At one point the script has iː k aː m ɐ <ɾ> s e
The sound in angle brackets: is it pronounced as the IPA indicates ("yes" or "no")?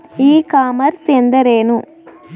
yes